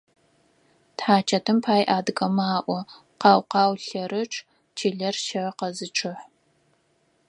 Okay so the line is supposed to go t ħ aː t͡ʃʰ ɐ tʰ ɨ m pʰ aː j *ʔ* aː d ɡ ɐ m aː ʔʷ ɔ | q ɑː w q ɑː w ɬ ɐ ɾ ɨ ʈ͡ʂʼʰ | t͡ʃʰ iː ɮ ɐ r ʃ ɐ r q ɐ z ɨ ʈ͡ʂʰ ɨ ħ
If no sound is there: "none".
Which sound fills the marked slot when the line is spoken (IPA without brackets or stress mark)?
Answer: ʔ